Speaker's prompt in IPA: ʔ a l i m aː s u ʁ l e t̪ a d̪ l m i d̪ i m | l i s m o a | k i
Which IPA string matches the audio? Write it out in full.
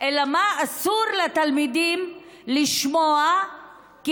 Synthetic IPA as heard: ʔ e l a m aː s u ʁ l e t̪ a l m i d̪ i m | l i ʃ m o a | k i